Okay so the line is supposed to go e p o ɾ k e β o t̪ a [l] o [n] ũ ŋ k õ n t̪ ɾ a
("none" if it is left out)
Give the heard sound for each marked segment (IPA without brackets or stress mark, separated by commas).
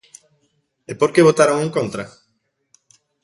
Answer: ɾ, ŋ